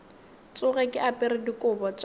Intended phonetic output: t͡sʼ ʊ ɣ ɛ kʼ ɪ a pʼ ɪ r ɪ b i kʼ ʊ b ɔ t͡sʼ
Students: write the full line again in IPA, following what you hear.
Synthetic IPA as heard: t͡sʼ ʊ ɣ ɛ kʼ ɪ a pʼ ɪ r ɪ d i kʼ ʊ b ɔ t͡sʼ